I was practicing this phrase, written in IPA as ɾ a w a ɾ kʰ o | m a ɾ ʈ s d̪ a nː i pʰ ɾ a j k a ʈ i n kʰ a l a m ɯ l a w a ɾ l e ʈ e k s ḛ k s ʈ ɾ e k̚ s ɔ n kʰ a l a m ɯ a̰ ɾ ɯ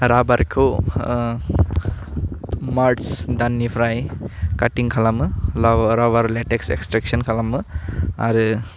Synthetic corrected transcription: ɾ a b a ɾ kʰ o | m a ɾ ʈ s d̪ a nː i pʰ ɾ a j k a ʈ i ŋ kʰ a l a m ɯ ɾ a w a ɾ l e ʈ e k s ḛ k s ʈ ɾ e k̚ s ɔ n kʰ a l a m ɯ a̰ ɾ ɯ